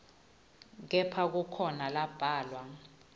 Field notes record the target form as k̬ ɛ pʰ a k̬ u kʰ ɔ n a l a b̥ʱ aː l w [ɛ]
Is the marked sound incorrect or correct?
incorrect